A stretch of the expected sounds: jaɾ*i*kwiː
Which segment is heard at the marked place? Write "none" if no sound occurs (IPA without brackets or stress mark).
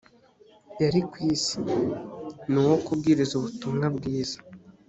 i